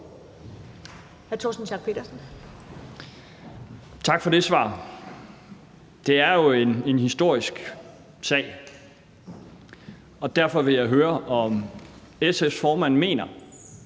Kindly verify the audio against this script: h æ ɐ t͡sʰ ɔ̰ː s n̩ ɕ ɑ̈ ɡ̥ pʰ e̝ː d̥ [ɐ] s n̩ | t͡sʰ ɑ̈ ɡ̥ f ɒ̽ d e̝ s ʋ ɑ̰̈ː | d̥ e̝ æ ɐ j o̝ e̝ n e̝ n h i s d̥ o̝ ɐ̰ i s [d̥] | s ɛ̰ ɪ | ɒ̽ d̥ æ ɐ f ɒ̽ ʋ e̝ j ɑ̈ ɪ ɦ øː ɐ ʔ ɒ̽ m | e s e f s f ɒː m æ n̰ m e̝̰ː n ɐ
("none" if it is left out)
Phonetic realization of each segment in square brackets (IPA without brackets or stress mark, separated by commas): ɐ, ɡ̥